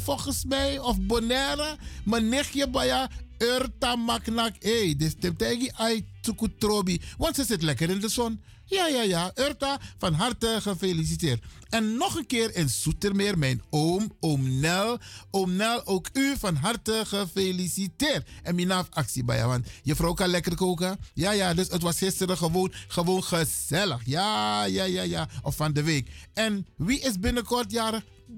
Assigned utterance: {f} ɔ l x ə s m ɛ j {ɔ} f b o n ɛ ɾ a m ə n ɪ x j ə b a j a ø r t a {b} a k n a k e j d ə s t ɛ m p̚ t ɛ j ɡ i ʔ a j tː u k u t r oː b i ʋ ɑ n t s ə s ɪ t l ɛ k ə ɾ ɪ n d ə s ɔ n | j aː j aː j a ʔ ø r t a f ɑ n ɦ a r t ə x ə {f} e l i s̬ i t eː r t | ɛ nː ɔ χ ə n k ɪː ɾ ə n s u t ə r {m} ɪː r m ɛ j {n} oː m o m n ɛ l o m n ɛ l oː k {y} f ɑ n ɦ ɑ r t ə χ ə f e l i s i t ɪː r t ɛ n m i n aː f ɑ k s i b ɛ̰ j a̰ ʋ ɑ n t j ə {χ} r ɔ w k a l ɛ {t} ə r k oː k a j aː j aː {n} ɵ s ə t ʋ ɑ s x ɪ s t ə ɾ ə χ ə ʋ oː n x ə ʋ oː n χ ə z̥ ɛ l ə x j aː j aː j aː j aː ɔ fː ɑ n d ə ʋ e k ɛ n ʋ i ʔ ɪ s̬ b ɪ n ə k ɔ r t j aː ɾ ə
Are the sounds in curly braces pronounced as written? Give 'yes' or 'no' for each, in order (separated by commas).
yes, yes, no, yes, yes, yes, yes, no, no, no